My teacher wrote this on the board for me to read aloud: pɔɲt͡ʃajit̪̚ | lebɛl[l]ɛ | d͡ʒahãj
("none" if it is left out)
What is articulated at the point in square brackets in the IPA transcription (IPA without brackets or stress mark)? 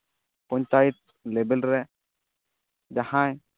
ɾ